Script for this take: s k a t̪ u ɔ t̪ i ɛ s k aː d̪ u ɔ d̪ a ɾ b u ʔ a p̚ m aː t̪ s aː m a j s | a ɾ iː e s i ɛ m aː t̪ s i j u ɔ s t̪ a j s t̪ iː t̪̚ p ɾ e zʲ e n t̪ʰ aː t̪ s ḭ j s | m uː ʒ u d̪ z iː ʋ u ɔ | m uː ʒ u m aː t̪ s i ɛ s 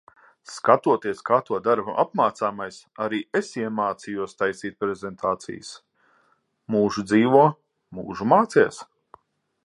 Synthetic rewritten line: s k a t̪ u ɔ t̪ i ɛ s k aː t̪ u ɔ d̪ a ɾ b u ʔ a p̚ m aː t̪ s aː m a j s | a ɾ iː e s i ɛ m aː t̪ s i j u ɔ s t̪ a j s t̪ iː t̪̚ p ɾ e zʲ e n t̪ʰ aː t̪ s ḭ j s | m uː ʒ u d̪ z iː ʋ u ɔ | m uː ʒ u m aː t̪ s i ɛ s